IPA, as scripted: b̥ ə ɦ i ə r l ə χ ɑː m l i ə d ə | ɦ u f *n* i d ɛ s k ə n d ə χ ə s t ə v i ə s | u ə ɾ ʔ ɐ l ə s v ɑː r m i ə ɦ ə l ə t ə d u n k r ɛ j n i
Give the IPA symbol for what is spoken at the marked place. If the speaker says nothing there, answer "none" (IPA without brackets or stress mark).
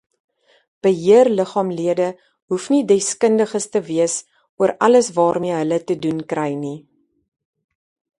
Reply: n